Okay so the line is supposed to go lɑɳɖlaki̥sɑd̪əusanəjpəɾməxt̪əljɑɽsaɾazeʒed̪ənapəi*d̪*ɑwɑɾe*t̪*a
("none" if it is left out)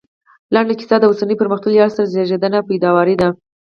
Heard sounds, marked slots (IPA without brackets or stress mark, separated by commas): d̪, d̪